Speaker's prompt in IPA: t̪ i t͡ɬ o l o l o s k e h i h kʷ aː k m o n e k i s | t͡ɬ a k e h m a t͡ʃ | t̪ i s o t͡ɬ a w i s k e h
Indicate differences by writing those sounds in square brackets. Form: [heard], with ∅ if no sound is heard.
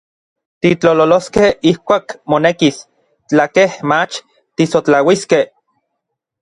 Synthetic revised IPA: t̪ i t͡ɬ o l o l o s k e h i h kʷ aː k m o n e k i s | t͡ɬ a k e h m a t͡ʃ | t̪ i s o t͡ɬ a w i s k e h